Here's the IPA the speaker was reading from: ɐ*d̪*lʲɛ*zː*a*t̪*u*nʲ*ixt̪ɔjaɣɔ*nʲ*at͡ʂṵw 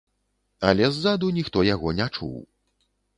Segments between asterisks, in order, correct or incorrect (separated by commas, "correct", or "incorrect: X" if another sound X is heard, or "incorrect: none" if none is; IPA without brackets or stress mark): incorrect: none, correct, incorrect: d̪, correct, correct